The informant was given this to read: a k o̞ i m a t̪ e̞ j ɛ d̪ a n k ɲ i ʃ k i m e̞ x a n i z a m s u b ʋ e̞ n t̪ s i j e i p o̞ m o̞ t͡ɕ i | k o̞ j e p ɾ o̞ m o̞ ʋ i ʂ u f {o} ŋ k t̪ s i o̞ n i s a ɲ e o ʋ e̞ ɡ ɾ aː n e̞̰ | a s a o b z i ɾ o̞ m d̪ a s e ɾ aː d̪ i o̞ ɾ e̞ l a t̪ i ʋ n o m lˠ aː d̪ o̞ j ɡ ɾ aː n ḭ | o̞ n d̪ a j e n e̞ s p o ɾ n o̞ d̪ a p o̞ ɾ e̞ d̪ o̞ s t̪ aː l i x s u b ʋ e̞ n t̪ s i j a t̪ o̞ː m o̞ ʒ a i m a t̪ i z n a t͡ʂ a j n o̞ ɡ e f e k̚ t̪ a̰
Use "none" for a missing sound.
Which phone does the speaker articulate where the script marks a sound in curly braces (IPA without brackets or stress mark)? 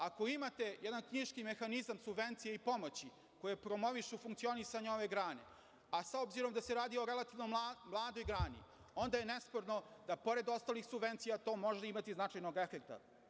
u